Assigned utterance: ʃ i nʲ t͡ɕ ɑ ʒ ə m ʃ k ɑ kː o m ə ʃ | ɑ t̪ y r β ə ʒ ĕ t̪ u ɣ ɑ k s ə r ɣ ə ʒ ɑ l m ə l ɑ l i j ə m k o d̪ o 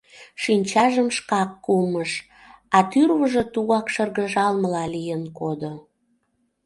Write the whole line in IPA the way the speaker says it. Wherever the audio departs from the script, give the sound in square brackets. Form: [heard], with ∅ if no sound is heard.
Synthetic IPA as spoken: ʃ i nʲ t͡ɕ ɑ ʒ ə m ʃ k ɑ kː [u] m ə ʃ | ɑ t̪ y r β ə ʒ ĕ t̪ u ɣ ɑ k [ʃ] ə r ɣ ə ʒ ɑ l m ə l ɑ l i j ə [n] k o d̪ o